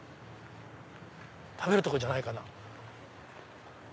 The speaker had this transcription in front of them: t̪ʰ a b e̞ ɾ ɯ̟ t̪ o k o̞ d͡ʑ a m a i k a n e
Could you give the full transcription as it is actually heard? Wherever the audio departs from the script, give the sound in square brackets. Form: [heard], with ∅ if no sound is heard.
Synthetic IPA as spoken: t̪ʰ a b e̞ ɾ ɯ̟ t̪ o k o̞ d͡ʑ a [n] a i k a n [a]